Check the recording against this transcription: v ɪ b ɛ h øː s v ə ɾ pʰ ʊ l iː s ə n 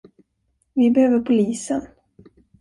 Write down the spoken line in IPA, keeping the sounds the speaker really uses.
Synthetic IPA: v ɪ b ɛ h øː v ə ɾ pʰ ʊ l iː s ə n